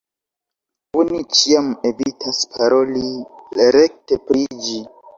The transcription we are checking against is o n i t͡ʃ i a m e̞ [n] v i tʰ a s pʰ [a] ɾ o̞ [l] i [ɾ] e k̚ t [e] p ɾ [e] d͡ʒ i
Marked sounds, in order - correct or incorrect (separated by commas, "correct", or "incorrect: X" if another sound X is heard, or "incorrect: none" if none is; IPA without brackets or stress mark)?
incorrect: none, correct, correct, correct, correct, incorrect: i